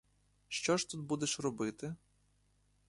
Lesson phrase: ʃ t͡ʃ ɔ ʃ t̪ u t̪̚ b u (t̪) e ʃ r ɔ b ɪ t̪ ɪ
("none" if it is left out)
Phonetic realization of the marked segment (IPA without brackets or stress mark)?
d̪